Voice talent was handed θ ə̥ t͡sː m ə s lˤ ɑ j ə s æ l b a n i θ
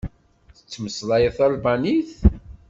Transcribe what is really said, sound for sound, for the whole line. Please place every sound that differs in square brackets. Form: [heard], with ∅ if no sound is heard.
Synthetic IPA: θ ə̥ t͡sː m ə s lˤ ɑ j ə [θ] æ l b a n i θ